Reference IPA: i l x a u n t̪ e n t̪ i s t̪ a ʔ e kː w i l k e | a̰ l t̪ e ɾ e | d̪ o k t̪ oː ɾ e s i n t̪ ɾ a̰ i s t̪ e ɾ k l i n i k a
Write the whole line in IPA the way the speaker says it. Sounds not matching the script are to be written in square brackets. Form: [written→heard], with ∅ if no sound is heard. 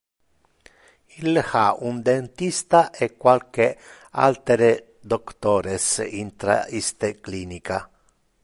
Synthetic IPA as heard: i l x a u n [t̪→d̪] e n t̪ i s t̪ a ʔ e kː w [i→a] l k e | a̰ l t̪ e ɾ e | d̪ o k t̪ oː ɾ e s i n t̪ ɾ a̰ i s t̪ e [ɾ→∅] k l i n i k a